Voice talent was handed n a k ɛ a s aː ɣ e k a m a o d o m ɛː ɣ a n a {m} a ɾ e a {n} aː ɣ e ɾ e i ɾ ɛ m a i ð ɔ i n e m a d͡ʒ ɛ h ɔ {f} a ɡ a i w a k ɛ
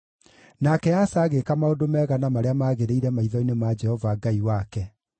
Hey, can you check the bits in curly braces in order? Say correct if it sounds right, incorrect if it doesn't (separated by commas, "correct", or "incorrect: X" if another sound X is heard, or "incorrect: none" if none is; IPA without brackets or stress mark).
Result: correct, incorrect: m, incorrect: v